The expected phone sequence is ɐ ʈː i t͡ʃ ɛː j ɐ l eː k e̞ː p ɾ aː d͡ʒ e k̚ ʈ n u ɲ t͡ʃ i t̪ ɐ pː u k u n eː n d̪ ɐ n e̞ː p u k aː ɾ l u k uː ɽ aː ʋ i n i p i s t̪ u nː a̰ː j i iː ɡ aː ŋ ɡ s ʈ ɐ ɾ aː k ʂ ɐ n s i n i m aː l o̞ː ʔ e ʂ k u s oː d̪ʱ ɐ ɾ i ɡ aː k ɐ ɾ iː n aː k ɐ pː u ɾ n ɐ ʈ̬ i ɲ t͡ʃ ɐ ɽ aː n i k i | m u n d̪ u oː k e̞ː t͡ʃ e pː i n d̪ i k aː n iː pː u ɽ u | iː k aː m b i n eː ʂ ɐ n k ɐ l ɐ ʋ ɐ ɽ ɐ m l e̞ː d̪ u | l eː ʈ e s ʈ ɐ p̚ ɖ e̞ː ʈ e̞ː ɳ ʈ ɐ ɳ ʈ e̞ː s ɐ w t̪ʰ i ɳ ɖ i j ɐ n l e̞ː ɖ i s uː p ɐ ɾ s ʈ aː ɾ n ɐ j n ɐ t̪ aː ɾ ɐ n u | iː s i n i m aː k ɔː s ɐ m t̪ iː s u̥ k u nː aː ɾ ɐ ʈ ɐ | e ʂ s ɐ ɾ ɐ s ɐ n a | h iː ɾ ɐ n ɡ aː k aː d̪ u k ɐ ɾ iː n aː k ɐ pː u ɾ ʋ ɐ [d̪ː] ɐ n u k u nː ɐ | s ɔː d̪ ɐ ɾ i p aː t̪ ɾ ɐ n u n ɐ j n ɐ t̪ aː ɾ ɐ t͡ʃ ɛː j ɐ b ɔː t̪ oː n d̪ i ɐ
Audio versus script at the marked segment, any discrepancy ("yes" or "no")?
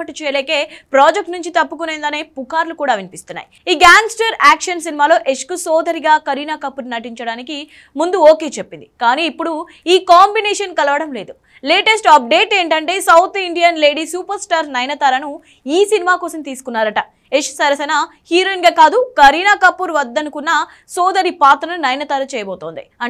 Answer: no